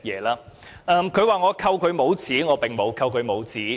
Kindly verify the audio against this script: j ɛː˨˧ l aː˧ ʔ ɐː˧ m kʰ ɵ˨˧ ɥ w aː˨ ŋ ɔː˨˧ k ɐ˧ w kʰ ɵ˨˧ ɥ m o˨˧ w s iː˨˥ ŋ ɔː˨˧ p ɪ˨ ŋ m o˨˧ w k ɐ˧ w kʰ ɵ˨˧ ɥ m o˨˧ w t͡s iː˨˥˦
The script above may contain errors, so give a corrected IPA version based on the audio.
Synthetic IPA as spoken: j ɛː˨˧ l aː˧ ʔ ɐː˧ m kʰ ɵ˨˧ ɥ w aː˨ ŋ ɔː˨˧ kʰ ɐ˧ w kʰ ɵ˨˧ ɥ m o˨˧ w t͡s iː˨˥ ŋ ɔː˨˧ p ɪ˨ ŋ m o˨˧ w kʰ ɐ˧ w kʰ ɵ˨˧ ɥ m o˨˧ w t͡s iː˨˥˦